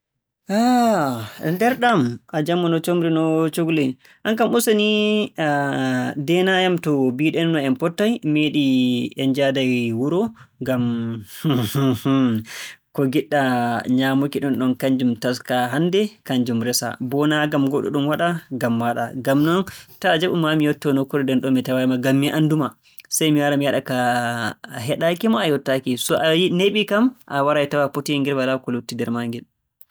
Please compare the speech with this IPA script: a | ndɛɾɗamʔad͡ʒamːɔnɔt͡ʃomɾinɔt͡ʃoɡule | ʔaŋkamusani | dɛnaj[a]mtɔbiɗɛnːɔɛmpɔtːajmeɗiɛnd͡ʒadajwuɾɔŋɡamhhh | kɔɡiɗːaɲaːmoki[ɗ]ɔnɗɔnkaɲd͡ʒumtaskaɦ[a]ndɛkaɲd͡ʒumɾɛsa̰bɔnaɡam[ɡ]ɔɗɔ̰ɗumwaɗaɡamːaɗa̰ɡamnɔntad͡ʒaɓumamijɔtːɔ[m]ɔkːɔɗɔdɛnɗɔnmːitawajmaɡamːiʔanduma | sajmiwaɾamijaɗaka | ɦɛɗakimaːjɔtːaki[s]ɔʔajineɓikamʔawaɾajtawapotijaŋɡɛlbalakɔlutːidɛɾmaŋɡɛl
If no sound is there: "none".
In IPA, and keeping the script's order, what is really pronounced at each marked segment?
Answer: a, ɗ, a, ɡ, n, s

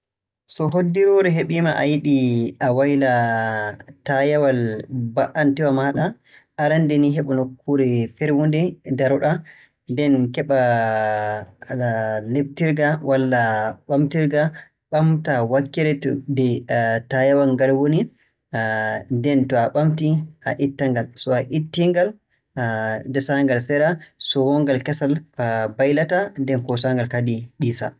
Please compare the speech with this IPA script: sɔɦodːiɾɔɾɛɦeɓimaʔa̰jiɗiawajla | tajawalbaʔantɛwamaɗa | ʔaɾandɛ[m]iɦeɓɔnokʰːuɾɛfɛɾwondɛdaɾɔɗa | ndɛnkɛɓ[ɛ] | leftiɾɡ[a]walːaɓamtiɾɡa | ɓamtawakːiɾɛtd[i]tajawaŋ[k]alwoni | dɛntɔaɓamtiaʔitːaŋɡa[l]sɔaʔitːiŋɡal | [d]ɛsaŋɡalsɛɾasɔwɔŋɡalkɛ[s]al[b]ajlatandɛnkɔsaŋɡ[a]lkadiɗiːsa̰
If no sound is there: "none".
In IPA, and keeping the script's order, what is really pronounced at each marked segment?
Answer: n, a, a, ɛ, ɡ, l, d, s, b, a

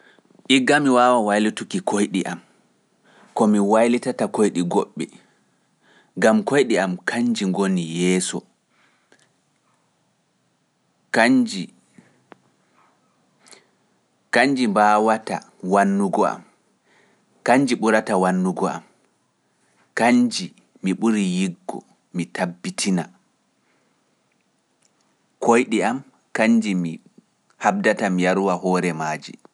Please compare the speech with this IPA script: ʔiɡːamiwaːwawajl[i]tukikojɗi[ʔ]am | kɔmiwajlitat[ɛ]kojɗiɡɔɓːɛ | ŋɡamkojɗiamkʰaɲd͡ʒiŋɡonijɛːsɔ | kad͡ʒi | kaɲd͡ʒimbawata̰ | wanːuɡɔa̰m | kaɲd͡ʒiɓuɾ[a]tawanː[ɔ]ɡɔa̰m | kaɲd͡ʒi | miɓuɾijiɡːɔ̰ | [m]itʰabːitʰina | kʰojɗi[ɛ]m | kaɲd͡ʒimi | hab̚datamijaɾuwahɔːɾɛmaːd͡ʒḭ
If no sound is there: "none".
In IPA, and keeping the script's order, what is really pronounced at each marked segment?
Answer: i, ʔ, a, a, u, m, a

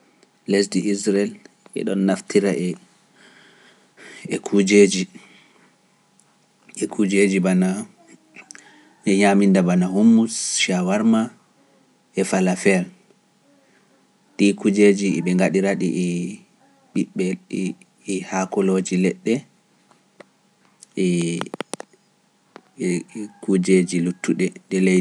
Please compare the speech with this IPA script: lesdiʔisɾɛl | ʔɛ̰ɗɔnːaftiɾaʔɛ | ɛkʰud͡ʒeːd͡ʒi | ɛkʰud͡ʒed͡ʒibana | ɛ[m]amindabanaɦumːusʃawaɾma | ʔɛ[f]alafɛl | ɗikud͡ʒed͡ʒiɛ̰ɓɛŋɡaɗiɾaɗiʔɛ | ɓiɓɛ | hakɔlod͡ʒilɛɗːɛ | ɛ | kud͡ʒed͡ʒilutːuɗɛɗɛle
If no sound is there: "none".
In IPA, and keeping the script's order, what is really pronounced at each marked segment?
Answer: ɲ, f

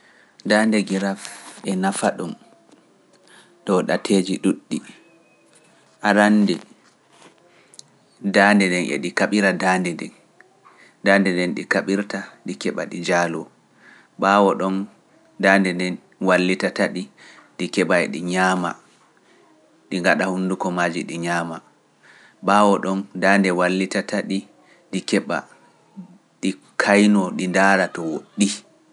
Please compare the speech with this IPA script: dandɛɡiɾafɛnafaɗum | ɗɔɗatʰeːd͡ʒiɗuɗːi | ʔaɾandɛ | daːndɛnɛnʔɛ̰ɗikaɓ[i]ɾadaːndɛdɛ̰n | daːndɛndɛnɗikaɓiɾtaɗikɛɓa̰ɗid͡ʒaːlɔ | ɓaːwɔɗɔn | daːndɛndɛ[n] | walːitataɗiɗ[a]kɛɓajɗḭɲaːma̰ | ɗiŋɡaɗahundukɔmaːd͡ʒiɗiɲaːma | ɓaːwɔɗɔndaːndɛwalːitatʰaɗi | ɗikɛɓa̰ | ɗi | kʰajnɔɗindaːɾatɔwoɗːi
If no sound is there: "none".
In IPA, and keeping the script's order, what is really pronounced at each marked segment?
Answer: i, n, i

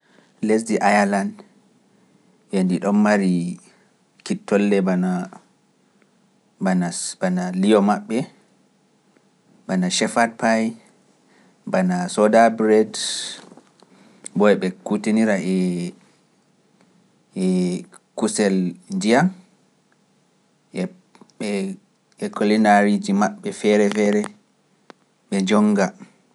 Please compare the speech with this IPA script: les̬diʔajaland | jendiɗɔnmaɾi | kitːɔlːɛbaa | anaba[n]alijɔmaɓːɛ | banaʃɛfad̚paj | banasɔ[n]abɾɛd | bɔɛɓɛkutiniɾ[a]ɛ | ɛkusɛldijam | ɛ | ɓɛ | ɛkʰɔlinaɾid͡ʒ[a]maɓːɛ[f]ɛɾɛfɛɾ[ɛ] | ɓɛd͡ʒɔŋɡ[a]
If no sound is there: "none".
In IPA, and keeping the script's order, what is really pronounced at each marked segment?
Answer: n, d, a, i, f, ɛ, a

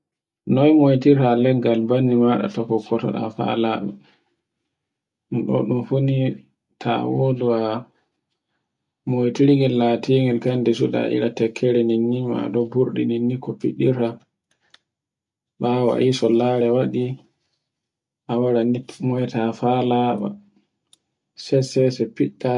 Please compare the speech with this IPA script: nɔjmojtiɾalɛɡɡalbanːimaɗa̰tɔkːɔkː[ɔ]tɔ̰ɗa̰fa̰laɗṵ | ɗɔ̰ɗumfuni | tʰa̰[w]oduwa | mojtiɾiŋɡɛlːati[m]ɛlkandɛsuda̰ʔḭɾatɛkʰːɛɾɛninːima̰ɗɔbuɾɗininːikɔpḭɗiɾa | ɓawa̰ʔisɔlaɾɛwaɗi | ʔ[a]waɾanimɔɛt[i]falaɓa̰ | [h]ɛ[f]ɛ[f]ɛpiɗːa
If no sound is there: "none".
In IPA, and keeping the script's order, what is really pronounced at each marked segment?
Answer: ɔ, w, ŋ, a, a, s, s, s

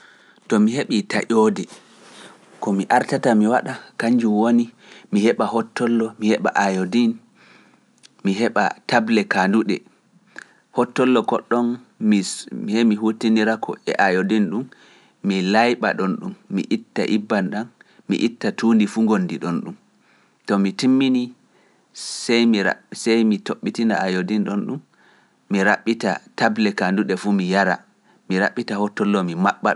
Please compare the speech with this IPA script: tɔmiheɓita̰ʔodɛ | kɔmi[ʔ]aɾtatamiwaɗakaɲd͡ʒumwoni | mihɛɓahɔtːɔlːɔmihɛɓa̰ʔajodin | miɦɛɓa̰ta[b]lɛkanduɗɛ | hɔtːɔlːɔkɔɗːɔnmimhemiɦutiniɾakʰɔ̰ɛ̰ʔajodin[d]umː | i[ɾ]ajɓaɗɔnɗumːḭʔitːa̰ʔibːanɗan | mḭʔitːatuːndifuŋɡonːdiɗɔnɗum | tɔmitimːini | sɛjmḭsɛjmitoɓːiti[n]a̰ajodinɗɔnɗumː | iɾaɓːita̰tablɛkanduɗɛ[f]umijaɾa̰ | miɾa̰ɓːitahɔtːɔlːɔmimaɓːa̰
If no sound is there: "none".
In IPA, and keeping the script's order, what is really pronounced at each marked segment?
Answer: ʔ, b, ɗ, l, n, f

